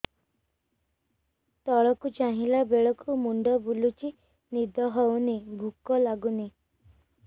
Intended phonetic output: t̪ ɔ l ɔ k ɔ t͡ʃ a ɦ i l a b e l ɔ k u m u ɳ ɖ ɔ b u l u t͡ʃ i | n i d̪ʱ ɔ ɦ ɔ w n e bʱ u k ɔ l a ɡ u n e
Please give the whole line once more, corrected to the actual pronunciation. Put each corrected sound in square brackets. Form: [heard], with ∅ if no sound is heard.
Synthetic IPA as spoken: t̪ ɔ [ɭ] ɔ k [u] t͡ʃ a ɦ i l a b e [ɭ] ɔ k u m u ɳ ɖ ɔ b u l u t͡ʃ i | n i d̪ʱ ɔ ɦ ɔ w n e bʱ u k ɔ l a ɡ u n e

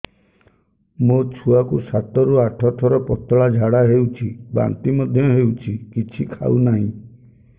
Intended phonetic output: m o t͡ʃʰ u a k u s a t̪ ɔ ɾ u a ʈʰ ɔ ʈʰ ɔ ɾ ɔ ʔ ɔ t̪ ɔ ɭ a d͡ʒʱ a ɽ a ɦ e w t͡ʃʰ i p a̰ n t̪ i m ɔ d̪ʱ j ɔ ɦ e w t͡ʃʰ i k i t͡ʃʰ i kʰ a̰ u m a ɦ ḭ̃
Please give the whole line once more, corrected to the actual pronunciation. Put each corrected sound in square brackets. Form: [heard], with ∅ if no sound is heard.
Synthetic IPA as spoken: m o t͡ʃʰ u a k u s a t̪ ɔ ɾ u a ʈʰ ɔ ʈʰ ɔ ɾ ɔ [p] ɔ t̪ ɔ ɭ a d͡ʒʱ a ɽ a ɦ e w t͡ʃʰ i [b] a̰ n t̪ i m ɔ d̪ʱ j ɔ ɦ e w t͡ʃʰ i k i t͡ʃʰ i kʰ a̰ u [n] a ɦ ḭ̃

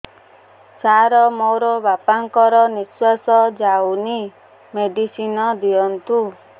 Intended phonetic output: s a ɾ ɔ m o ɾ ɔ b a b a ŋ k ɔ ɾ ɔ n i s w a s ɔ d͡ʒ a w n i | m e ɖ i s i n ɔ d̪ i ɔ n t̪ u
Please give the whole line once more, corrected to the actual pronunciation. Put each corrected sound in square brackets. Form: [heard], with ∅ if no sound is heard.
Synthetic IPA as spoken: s a ɾ ɔ m o ɾ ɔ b a [p] a ŋ k ɔ ɾ ɔ n i s w a s ɔ d͡ʒ a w n i | m e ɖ i s i n ɔ d̪ i ɔ n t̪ u

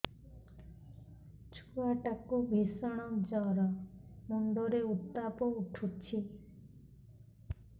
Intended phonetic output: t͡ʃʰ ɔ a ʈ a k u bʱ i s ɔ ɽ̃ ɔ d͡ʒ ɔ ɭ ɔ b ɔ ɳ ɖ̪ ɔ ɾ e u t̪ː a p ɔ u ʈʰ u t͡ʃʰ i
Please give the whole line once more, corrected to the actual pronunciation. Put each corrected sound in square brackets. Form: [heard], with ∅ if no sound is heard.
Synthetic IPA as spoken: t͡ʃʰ [u] a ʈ a k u bʱ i s ɔ ɽ̃ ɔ d͡ʒ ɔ [ɾ] ɔ [m] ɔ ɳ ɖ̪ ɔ ɾ e u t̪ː a p ɔ u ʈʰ u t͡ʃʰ i

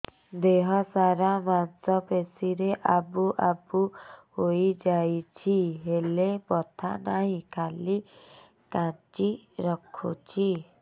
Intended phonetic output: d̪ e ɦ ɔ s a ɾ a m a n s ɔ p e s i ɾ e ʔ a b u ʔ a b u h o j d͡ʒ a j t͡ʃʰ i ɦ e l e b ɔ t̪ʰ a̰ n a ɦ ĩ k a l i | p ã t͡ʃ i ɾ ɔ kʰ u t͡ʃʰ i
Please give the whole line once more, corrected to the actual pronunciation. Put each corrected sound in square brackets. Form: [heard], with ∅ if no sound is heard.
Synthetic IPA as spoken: d̪ e ɦ ɔ s a ɾ a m a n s ɔ p e s i ɾ e ʔ a b u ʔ a b u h o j d͡ʒ a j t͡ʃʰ i ɦ e l e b ɔ t̪ʰ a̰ n a ɦ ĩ k a l i | [k] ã t͡ʃ i ɾ ɔ kʰ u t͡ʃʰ i

